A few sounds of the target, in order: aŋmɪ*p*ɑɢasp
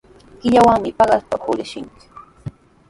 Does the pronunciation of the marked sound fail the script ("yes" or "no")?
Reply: no